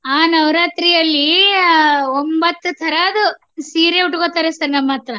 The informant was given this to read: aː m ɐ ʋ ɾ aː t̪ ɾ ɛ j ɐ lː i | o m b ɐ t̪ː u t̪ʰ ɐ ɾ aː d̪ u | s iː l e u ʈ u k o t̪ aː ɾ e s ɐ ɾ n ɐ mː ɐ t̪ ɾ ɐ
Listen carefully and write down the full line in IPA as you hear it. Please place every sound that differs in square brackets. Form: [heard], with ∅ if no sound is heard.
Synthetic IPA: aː [n] ɐ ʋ ɾ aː t̪ ɾ [i] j ɐ lː i | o m b ɐ t̪ː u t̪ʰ ɐ ɾ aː d̪ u | s iː [ɾ] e u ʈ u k o t̪ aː ɾ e s ɐ ɾ n ɐ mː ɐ t̪ ɾ ɐ